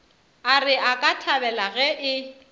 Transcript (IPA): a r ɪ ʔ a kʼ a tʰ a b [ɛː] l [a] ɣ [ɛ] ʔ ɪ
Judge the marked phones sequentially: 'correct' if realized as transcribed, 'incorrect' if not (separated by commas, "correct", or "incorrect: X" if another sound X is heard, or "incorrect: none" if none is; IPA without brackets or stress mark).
incorrect: ɛ, correct, correct